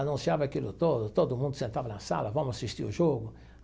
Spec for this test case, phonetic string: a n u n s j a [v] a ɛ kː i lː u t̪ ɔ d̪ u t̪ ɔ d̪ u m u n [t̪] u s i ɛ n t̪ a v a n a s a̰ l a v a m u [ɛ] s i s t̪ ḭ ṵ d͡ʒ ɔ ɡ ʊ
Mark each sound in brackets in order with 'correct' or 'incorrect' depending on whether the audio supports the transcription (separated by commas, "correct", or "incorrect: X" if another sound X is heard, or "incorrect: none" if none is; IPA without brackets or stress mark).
correct, incorrect: d̪, incorrect: a